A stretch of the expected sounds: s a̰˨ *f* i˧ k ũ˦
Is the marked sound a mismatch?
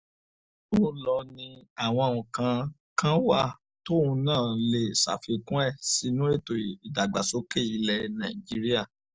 no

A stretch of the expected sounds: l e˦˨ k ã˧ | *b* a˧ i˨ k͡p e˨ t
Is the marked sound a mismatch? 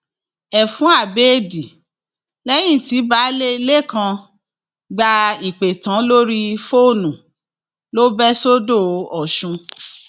yes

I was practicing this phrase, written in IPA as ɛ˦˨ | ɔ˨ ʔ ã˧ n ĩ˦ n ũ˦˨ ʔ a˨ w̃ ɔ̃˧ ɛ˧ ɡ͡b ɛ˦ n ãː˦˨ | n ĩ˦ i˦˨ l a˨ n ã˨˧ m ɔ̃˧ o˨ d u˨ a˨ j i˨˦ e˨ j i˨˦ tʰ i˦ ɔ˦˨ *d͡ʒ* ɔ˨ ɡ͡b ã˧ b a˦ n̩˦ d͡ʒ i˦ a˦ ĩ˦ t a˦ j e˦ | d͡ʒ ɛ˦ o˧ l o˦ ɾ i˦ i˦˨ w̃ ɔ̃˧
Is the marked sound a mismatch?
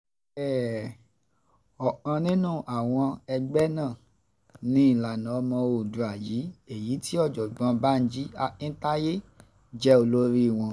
no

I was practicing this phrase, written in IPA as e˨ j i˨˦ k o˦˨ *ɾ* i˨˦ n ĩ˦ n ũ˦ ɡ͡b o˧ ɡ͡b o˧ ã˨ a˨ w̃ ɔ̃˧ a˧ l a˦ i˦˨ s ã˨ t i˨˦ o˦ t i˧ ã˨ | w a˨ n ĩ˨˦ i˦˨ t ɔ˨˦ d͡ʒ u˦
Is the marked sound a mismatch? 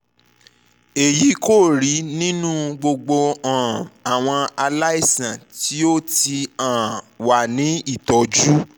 no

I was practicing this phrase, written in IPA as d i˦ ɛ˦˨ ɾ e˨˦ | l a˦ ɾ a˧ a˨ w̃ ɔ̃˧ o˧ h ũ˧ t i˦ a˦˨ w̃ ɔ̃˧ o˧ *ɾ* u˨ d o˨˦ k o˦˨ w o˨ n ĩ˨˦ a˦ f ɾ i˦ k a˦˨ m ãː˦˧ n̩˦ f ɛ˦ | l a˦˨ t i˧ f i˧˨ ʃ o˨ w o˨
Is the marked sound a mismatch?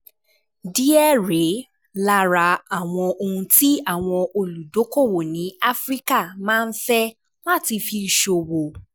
yes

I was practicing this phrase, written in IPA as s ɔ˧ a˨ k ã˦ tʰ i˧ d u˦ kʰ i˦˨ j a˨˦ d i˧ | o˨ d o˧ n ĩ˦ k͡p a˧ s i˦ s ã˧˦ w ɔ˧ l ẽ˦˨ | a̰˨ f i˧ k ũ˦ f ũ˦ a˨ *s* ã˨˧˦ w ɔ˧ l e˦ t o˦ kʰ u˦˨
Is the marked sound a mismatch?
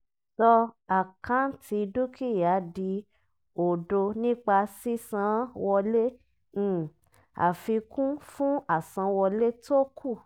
no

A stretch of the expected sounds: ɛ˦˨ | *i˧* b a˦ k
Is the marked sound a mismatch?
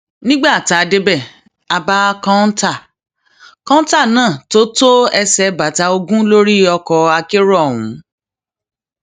yes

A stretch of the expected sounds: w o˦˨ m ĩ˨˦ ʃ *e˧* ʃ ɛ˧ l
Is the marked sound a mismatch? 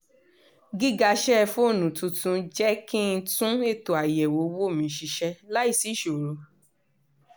yes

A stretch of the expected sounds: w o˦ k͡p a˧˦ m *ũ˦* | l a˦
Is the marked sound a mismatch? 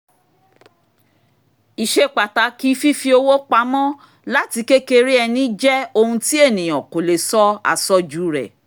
yes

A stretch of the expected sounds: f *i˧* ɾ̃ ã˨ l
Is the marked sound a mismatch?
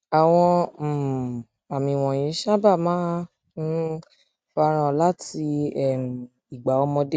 yes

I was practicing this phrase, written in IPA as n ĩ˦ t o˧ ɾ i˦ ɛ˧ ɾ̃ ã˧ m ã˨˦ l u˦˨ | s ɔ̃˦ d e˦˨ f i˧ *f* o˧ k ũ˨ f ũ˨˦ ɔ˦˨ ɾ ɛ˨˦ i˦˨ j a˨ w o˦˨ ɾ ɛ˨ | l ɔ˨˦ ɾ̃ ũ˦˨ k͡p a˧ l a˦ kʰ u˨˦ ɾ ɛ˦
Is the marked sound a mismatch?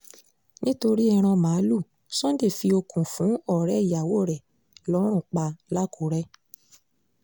yes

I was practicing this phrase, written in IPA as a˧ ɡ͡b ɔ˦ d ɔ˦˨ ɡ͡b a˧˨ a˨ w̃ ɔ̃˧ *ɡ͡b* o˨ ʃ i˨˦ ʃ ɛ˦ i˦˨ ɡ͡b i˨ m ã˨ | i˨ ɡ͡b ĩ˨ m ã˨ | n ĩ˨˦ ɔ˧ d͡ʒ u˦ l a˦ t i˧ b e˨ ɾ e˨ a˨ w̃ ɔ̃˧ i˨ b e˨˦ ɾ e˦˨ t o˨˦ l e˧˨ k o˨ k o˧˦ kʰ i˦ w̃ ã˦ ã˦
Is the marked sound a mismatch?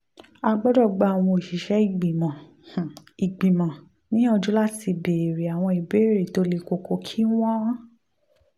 yes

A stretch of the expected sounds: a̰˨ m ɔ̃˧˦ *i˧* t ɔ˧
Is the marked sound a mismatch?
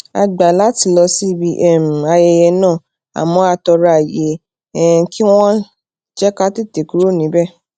yes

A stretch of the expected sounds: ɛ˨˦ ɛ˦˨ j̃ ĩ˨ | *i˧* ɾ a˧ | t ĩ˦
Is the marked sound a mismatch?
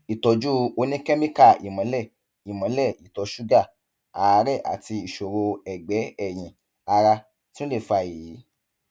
yes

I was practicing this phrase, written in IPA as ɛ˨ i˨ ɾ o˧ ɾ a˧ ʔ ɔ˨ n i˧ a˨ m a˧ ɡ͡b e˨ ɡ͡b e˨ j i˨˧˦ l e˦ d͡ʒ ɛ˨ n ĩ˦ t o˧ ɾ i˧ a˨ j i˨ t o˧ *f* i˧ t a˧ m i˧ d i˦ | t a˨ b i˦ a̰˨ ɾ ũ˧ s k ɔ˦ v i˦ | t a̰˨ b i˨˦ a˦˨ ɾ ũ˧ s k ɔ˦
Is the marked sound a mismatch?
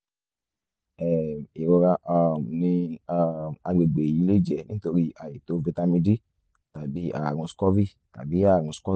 yes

